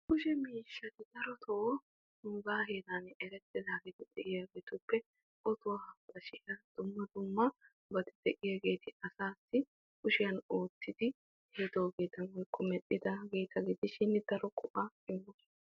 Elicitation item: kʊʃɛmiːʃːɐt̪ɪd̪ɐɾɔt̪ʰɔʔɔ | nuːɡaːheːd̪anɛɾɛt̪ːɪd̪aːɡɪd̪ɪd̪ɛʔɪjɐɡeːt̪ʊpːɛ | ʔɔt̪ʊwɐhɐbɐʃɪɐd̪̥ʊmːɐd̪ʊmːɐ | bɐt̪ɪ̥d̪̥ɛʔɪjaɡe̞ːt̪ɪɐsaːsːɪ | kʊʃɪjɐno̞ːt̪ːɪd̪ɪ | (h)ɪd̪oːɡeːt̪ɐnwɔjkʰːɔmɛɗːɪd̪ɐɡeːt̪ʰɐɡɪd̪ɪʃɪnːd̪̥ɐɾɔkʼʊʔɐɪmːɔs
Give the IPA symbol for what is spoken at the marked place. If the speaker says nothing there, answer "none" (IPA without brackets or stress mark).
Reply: h